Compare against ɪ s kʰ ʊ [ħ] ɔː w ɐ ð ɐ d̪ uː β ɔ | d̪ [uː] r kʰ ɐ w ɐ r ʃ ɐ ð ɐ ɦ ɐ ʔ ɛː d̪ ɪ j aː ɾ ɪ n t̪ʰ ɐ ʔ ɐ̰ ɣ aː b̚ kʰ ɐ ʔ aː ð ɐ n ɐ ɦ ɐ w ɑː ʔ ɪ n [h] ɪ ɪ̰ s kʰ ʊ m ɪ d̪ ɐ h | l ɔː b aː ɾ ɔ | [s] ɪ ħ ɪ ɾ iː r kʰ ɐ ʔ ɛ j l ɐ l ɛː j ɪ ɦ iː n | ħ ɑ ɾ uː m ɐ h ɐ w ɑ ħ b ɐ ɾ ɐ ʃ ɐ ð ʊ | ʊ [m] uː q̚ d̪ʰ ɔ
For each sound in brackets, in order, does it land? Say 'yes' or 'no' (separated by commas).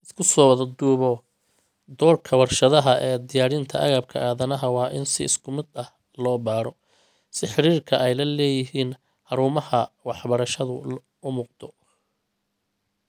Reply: no, no, no, yes, yes